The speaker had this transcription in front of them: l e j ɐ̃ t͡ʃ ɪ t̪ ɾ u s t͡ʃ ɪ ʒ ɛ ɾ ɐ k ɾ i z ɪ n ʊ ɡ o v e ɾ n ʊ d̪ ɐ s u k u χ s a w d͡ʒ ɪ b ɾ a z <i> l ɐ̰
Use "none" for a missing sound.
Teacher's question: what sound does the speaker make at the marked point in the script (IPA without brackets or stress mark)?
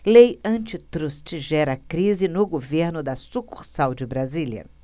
i